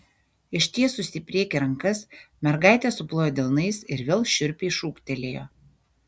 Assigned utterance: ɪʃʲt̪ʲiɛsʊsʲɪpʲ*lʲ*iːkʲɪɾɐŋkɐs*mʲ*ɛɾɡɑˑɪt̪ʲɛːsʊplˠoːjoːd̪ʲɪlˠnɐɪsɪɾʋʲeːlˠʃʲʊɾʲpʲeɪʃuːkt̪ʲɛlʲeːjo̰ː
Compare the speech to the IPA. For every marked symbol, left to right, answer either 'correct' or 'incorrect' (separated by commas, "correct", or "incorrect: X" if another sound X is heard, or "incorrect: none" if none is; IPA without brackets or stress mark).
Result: incorrect: ɾʲ, correct